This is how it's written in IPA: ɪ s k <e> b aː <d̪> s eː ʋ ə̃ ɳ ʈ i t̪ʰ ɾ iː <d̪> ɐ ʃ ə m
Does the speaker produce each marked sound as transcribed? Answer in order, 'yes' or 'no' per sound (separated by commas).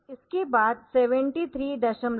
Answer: yes, yes, yes